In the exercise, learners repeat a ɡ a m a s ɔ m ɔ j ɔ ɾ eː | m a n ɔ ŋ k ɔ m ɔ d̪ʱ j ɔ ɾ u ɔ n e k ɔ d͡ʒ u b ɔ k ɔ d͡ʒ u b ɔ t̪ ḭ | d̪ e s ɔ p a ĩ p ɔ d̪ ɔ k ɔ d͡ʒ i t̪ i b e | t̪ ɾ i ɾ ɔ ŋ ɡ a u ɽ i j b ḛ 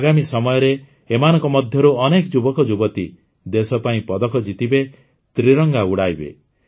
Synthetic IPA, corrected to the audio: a ɡ a m i s ɔ m ɔ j ɔ ɾ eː | m a n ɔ ŋ k ɔ m ɔ d̪ʱ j ɔ ɾ u ɔ n e k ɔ d͡ʒ u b ɔ k ɔ d͡ʒ u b ɔ t̪ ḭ | d̪ e s ɔ p a ĩ p ɔ d̪ ɔ k ɔ d͡ʒ i t̪ i b e | t̪ ɾ i ɾ ɔ ŋ ɡ a u ɽ a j b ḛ